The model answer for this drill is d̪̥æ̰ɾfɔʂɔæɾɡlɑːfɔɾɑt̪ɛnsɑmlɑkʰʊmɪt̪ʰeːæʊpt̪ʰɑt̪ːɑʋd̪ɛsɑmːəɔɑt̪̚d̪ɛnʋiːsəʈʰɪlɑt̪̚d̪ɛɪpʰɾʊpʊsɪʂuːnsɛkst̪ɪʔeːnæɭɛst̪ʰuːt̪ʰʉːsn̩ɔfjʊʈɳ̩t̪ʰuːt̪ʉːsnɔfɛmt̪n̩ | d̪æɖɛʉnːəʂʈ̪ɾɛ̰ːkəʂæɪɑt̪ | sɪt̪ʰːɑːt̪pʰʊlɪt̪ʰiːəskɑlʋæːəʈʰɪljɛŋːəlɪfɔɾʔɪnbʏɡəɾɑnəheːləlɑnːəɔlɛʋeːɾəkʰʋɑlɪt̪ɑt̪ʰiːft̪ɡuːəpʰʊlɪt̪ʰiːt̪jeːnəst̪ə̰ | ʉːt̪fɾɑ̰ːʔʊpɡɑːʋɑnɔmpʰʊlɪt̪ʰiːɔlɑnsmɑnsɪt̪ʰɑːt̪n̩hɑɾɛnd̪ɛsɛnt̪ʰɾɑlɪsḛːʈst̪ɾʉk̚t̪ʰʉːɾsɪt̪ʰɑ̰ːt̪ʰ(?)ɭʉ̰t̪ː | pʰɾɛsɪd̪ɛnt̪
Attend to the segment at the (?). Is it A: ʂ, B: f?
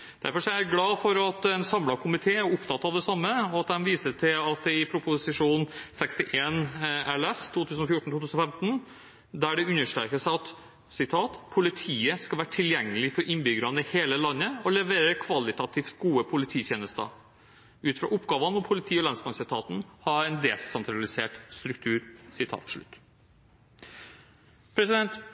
A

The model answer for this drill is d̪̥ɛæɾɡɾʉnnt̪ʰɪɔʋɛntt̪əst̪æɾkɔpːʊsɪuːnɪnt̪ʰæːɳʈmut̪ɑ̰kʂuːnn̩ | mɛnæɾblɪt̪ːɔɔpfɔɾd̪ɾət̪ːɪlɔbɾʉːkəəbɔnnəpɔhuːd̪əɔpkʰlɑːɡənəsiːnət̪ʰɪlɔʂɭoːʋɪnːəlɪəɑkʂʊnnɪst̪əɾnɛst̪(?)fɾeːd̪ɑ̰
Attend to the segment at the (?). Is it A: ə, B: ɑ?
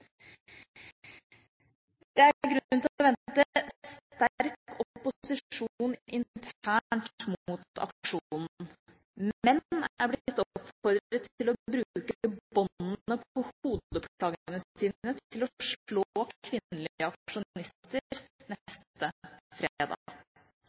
A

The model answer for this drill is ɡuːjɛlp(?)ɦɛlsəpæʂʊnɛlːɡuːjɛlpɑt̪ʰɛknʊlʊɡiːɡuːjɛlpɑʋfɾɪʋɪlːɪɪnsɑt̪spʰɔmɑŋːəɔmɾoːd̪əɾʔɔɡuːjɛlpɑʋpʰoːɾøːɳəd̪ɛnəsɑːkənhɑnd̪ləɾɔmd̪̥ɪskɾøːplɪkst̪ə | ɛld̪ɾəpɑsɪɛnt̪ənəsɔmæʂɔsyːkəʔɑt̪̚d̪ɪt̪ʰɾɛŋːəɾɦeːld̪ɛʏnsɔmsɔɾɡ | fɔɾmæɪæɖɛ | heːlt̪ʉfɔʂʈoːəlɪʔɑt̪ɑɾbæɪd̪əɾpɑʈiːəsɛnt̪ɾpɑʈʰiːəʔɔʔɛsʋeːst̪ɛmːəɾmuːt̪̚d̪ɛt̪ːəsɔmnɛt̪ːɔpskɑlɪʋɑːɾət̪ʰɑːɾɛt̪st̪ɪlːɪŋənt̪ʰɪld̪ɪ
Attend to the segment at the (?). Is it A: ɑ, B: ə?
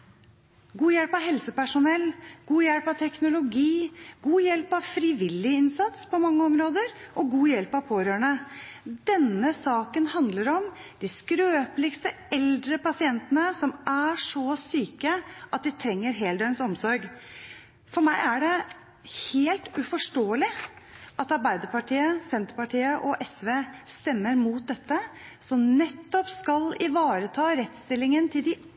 A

